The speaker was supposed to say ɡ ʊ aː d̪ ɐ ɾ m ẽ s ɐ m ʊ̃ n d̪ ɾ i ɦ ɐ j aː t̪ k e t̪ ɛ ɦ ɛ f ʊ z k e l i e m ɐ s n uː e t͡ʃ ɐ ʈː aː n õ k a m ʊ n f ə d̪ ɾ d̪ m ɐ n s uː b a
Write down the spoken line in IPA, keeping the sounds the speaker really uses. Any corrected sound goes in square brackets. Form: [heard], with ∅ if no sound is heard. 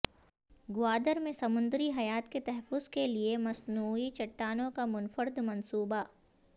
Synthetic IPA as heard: ɡ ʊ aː d̪ [ə] ɾ m ẽ s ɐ m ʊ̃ n d̪ ɾ i ɦ ɐ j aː t̪ k e t̪ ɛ ɦ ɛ f ʊ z k e l i e m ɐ s n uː [i] t͡ʃ ɐ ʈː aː n õ k a m ʊ n f ə [∅] ɾ d̪ m ɐ n s uː b a